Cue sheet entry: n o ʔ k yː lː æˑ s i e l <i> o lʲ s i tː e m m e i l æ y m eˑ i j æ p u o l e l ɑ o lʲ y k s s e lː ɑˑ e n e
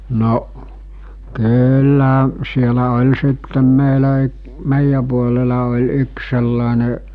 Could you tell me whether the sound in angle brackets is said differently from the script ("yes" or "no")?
yes